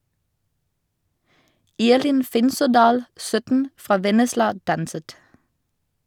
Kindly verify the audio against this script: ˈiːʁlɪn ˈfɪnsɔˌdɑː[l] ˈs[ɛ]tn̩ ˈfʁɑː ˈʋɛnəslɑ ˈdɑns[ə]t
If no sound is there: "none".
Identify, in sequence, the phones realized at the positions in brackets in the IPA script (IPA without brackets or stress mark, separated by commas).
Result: l, œ, ə